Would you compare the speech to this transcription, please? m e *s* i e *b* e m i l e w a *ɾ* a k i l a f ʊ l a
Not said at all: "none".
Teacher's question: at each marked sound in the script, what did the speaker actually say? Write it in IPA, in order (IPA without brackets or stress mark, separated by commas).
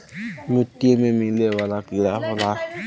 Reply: t, m, l